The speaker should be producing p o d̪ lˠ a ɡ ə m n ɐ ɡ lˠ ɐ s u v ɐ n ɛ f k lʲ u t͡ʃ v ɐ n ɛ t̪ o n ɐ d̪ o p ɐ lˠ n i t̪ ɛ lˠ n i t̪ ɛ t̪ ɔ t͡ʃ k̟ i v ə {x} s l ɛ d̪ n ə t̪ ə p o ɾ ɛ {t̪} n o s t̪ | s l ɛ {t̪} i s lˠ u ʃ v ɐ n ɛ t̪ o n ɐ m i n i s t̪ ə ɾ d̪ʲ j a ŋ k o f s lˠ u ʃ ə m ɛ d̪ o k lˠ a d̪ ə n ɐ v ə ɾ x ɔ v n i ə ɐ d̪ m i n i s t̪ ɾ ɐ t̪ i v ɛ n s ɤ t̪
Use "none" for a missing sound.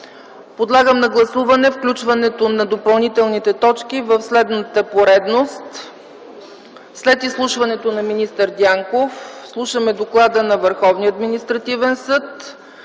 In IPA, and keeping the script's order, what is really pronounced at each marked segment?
f, d̪, t̪

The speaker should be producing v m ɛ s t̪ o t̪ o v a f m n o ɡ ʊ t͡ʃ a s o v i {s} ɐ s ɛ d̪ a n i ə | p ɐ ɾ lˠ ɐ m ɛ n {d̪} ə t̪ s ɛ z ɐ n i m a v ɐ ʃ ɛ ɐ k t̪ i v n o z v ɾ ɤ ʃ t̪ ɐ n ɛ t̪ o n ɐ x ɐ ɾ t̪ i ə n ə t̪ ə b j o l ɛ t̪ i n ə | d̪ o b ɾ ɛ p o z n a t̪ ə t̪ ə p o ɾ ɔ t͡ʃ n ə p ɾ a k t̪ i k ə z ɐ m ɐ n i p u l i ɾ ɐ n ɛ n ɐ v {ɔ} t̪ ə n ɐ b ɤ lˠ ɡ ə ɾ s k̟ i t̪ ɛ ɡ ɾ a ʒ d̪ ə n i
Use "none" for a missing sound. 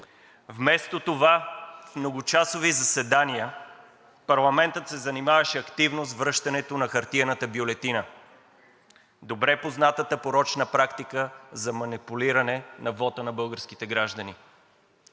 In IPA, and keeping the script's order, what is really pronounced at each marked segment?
z, t̪, ɔ

